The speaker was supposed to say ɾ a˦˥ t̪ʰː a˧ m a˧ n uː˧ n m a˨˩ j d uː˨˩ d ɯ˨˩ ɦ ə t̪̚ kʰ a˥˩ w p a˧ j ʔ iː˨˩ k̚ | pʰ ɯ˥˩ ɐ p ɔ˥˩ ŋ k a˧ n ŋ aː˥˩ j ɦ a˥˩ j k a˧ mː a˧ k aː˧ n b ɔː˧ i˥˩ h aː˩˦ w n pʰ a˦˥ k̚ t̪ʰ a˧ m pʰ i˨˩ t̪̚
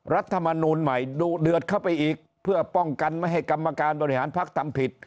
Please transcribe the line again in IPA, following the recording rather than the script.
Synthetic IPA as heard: ɾ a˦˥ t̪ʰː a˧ m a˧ n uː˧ n m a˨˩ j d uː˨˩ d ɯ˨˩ ə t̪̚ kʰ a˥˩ w p a˧ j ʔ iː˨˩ k̚ | pʰ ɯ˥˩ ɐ p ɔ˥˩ ŋ k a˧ n m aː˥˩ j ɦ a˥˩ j k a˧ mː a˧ k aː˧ n b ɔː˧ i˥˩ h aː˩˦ n pʰ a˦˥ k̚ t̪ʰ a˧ m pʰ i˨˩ t̪̚